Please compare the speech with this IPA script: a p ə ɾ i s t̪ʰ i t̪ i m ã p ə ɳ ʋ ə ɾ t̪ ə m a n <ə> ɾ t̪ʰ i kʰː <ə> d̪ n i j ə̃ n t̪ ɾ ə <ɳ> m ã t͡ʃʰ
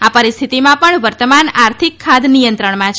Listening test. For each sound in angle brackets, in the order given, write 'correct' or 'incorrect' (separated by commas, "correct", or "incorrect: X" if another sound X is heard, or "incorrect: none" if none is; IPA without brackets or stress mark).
incorrect: a, incorrect: a, correct